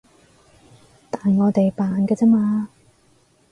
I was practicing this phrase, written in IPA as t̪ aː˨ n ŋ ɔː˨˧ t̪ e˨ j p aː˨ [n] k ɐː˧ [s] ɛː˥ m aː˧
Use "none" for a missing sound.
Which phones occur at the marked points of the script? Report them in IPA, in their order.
n, t͡s

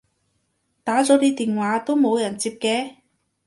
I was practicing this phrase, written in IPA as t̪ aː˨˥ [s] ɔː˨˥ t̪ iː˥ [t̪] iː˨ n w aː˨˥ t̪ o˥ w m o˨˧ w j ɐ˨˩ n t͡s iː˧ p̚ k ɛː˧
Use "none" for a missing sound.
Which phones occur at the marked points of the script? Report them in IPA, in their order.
t͡s, t̪

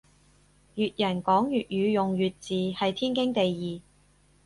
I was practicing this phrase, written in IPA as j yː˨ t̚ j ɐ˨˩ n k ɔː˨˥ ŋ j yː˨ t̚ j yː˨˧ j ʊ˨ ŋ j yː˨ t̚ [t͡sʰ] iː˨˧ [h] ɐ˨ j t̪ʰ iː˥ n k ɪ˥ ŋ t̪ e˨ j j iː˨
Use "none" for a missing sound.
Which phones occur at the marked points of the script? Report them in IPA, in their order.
t͡s, h

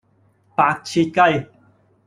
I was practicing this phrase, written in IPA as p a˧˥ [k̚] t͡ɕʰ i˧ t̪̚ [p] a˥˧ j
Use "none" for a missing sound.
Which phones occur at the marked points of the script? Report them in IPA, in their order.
k̚, k

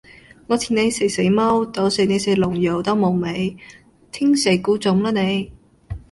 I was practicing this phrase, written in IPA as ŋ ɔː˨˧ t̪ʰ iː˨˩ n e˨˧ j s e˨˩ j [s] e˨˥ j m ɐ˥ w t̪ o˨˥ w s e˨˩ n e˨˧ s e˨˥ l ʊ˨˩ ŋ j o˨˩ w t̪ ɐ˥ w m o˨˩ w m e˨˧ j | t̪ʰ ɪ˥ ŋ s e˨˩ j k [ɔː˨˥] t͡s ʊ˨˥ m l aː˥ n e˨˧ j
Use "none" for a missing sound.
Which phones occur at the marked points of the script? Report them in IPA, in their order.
s, uː˨˥

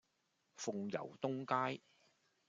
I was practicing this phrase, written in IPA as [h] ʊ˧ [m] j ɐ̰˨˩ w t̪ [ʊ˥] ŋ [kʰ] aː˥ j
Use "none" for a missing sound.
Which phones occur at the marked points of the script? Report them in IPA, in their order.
f, ŋ, ʊ˥, k

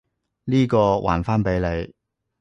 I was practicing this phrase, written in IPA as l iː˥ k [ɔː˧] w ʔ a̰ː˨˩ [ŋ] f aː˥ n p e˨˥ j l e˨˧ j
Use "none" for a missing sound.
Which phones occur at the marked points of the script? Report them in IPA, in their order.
ɔː˧, n

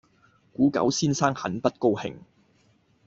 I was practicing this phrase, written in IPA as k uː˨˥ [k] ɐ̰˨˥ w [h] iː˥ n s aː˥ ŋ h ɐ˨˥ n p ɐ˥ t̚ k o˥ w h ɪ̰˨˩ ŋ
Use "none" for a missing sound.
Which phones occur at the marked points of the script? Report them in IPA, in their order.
k, s

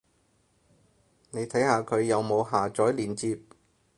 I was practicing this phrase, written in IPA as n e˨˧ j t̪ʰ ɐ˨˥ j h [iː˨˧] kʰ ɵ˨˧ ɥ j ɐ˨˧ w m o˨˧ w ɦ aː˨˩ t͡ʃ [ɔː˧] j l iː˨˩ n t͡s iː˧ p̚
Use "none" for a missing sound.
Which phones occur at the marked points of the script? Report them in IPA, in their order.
aː˨˧, ɔː˨˥

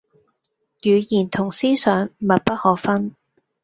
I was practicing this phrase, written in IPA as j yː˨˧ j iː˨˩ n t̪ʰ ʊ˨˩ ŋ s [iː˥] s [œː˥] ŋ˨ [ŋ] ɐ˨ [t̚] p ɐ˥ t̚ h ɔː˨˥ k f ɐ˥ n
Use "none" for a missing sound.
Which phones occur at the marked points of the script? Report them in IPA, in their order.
iː˥, œː˨˧, m, t̚

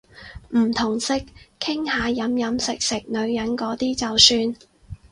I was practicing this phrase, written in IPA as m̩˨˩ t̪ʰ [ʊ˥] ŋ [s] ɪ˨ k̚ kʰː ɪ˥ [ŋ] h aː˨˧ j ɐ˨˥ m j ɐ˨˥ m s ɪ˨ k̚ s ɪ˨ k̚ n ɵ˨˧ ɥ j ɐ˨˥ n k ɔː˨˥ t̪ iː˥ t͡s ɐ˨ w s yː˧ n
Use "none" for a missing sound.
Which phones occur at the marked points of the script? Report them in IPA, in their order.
ʊ˨˩, s, ŋ

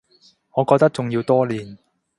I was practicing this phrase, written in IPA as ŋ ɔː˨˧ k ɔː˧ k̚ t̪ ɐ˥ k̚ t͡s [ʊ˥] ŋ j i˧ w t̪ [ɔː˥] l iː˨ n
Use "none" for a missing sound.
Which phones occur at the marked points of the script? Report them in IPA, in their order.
ʊ˨, ɔː˥

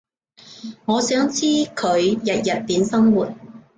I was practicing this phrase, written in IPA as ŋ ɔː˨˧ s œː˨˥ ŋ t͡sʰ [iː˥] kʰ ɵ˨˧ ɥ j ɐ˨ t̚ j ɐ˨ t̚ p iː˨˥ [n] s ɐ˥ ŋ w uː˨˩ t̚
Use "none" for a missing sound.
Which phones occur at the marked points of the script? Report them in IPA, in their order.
iː˥, n

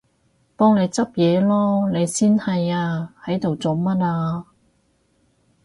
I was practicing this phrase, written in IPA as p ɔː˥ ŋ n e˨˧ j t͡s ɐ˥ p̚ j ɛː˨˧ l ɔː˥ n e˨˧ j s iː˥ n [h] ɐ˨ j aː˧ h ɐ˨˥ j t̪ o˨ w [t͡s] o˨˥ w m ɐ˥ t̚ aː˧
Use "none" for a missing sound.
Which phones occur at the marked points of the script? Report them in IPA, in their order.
h, t͡s

